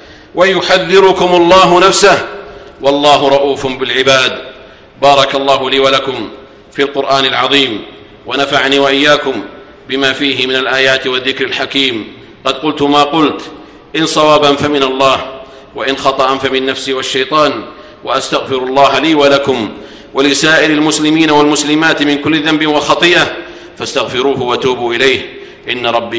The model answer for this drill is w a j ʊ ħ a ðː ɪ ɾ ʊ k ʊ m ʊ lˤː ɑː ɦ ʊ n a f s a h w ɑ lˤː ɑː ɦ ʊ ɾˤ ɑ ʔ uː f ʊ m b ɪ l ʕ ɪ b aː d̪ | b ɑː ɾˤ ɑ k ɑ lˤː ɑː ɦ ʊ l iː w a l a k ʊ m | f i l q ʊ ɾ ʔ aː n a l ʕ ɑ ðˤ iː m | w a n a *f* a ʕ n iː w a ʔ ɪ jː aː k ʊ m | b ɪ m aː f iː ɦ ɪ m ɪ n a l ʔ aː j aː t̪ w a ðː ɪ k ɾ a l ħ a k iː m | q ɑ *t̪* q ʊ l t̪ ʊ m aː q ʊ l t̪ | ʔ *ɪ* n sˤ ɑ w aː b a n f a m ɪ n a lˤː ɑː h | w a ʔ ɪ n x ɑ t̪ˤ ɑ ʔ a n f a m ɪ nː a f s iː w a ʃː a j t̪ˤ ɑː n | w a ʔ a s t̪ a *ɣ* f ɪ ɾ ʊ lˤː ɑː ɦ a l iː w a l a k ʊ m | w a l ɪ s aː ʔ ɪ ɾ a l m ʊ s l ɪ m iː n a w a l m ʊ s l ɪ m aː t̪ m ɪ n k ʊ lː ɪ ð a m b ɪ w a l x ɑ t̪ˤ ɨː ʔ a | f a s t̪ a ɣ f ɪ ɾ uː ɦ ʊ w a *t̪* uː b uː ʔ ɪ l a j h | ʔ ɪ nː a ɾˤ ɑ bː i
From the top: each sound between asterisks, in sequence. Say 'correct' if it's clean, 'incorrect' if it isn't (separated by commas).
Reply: correct, incorrect, correct, correct, correct